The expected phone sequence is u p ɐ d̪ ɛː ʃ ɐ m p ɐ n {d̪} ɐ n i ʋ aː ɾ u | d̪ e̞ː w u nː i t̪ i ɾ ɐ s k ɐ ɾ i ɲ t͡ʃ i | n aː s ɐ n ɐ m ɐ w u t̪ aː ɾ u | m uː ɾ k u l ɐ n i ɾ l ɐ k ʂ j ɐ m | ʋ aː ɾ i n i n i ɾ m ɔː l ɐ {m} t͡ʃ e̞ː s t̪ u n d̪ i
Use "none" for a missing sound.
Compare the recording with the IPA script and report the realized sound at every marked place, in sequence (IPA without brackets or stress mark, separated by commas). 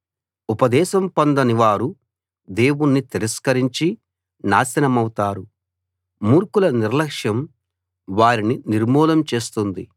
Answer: d̪, m